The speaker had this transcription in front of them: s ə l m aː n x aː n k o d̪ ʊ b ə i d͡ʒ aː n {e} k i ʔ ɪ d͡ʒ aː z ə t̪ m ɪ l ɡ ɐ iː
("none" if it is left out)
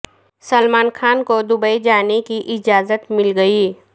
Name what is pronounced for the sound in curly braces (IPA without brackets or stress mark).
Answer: e